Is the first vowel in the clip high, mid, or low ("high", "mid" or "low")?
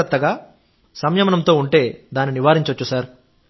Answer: low